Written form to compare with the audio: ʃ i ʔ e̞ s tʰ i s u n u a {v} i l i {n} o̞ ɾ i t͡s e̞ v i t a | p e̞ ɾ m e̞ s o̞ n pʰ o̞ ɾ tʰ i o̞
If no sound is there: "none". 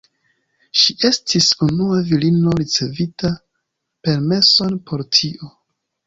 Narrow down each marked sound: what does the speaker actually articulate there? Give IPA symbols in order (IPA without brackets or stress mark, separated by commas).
v, n